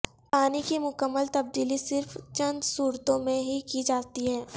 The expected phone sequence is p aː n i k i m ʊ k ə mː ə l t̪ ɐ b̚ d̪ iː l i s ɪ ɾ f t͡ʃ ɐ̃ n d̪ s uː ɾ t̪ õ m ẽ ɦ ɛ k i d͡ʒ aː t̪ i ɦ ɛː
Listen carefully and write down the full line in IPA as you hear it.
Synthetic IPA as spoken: p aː n i k i m ʊ k ə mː ə l t̪ ɐ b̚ d̪ iː l i s ɪ ɾ f t͡ʃ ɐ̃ n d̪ s uː ɾ t̪ õ m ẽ ɦ i k i d͡ʒ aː t̪ i ɦ ɛː